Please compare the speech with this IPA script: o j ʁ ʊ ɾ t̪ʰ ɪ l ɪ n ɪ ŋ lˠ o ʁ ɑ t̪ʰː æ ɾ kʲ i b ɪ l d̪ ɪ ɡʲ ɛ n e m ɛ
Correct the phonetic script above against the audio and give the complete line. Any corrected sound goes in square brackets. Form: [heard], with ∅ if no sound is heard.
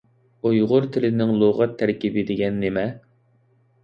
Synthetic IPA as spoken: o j ʁ ʊ ɾ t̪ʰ ɪ l ɪ n ɪ ŋ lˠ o ʁ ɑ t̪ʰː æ ɾ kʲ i b ɪ [∅] d̪ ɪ ɡʲ ɛ [nː] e m ɛ